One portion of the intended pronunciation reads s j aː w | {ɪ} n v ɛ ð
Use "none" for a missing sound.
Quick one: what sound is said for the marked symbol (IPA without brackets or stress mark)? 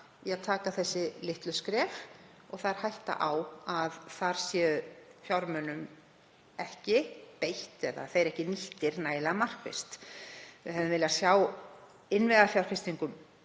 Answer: ɪ